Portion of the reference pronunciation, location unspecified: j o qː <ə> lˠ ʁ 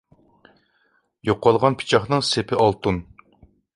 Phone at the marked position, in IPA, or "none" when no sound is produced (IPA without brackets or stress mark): ɑ